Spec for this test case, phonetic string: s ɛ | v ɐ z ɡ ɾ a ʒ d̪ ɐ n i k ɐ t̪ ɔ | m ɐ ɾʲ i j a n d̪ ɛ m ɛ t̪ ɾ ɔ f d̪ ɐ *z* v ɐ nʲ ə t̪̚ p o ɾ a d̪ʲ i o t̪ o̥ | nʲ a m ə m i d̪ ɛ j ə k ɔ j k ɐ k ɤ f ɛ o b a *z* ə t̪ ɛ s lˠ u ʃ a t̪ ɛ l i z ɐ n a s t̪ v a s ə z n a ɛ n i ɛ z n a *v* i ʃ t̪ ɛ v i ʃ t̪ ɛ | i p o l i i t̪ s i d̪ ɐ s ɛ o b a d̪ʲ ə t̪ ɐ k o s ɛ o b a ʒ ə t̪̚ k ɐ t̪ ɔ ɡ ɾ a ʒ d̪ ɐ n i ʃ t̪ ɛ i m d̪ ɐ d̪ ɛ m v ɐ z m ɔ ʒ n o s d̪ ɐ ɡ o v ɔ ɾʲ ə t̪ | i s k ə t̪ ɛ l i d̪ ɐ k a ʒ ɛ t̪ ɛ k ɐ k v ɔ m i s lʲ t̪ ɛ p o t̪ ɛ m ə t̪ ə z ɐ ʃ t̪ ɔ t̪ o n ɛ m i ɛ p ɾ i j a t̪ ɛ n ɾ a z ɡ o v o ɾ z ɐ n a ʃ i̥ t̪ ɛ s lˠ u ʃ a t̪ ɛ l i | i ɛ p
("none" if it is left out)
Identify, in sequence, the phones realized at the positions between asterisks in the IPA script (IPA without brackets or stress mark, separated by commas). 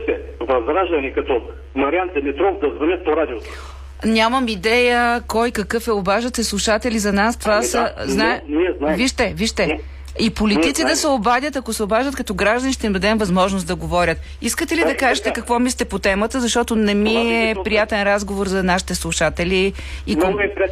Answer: z, ʒ, v